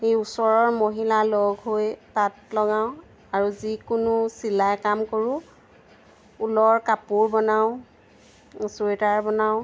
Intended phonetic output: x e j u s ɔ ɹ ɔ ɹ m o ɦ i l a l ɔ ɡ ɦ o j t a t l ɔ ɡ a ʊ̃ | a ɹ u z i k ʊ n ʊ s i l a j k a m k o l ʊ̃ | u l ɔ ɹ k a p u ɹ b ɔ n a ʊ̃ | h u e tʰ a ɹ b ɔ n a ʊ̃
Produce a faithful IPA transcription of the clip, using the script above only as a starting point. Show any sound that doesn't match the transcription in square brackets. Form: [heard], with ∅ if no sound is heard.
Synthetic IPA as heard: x e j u s ɔ ɹ ɔ ɹ m o ɦ i l a l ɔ ɡ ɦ o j t a t l ɔ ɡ a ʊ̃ | a ɹ u z i k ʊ n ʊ s i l a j k a m k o [ɹ] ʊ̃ | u l ɔ ɹ k a p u ɹ b ɔ n a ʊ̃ | [s] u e [t] a ɹ b ɔ n a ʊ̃